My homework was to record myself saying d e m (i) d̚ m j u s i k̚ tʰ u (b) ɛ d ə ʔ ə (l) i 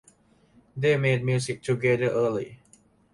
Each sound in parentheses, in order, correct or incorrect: incorrect: e, incorrect: ɡ, correct

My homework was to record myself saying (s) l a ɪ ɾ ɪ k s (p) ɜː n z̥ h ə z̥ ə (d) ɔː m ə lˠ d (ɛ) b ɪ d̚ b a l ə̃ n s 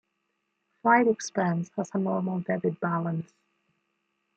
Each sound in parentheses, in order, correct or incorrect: incorrect: f, correct, incorrect: n, correct

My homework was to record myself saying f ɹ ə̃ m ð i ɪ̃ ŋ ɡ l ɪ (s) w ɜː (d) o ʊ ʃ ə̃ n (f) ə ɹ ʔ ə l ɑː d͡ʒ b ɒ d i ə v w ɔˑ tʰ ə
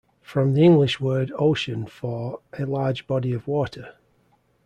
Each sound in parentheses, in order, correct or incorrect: incorrect: ʃ, correct, correct

